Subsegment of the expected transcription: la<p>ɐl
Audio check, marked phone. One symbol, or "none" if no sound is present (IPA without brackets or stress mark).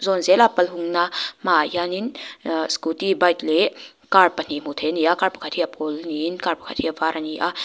p